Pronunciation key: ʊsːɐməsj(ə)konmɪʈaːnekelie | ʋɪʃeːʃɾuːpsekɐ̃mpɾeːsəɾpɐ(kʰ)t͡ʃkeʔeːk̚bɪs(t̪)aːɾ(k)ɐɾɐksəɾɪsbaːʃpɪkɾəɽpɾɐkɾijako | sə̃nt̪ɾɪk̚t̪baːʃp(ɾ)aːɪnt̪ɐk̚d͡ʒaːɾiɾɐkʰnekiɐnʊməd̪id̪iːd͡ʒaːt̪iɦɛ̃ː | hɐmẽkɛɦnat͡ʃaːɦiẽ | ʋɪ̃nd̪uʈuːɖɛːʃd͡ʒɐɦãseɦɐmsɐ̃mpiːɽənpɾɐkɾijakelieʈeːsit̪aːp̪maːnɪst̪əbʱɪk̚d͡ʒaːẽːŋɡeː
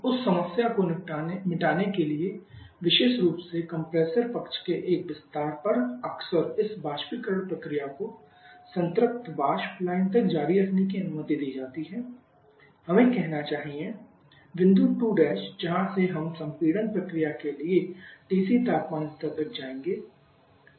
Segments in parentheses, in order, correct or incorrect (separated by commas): incorrect, incorrect, correct, incorrect, incorrect